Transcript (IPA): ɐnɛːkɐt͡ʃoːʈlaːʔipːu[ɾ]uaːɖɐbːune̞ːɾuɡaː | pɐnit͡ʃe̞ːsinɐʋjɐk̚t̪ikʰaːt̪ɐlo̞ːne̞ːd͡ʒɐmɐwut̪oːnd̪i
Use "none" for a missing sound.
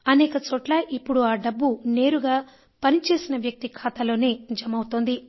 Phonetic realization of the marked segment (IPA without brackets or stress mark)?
ɽ